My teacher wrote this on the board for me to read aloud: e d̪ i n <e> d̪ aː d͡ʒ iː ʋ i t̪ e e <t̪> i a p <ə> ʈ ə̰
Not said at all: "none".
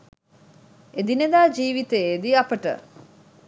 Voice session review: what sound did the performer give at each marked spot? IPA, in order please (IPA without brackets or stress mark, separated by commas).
e, d̪, ə